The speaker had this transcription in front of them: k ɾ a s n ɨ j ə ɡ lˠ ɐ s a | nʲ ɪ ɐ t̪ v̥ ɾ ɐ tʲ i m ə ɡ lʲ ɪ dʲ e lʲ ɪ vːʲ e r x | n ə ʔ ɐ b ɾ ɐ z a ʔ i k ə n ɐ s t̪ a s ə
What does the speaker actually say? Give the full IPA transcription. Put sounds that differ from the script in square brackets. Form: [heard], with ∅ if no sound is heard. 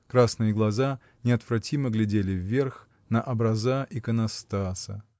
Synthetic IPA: k ɾ a s n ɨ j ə ɡ lˠ ɐ [z] a | nʲ ɪ ɐ t̪ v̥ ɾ ɐ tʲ i m ə ɡ lʲ ɪ dʲ e lʲ ɪ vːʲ e r x | n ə ʔ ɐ b ɾ ɐ z a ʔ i k ə n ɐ s t̪ a s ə